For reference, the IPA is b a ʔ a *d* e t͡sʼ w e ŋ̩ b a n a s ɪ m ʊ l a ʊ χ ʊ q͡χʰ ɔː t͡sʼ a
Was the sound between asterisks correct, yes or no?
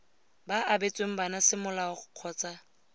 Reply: no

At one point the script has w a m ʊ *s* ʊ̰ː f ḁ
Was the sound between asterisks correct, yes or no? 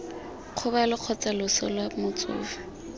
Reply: no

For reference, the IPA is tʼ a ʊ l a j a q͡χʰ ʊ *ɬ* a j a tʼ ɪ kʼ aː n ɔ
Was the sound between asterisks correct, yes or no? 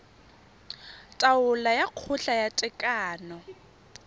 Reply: yes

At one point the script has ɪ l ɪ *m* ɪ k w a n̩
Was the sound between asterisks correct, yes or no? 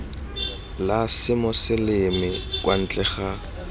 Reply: yes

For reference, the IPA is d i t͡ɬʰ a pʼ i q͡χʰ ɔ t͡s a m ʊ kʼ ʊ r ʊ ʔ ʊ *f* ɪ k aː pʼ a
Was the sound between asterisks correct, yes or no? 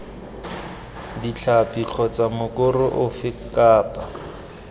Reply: yes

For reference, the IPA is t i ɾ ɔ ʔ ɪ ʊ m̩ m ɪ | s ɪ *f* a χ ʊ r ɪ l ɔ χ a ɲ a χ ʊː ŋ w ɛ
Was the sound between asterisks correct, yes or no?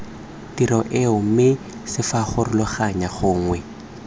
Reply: yes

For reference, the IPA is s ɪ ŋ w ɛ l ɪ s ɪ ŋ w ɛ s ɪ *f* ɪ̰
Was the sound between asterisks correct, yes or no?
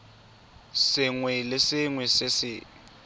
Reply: no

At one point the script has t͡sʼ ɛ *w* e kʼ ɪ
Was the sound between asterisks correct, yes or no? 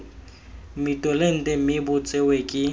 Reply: yes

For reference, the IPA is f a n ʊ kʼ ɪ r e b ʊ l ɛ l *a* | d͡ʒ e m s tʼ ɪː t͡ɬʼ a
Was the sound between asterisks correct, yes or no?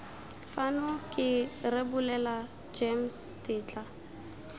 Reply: yes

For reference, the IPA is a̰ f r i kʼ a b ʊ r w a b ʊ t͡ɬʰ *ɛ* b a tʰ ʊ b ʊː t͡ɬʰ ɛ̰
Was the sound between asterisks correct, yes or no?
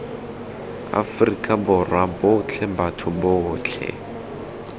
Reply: yes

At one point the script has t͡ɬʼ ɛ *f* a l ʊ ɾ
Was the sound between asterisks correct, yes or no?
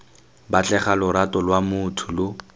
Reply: no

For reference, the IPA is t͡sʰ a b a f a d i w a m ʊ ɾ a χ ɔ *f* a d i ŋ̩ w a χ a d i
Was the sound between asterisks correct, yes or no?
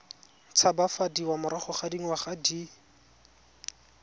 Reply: no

